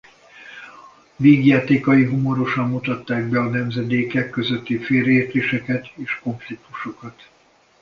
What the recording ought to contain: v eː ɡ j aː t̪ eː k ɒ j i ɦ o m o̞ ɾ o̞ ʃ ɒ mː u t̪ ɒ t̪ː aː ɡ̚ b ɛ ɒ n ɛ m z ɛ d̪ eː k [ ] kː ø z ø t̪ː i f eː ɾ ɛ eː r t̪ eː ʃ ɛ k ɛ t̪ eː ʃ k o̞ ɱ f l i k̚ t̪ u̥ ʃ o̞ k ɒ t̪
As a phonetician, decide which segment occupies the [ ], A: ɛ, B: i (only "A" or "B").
A